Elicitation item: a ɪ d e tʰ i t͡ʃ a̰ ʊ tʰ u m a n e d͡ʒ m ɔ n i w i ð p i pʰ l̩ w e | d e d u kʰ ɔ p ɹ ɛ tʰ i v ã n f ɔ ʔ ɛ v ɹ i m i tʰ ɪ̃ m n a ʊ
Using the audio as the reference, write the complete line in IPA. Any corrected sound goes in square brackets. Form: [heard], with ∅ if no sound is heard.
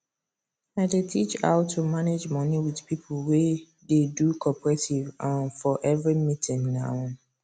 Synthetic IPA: a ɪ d e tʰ i t͡ʃ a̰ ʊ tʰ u m a n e d͡ʒ m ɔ n i w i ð p i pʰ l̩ w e | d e d u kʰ ɔ p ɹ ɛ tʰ i v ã n f ɔ ʔ ɛ v ɹ i m i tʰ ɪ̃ [ŋ] n a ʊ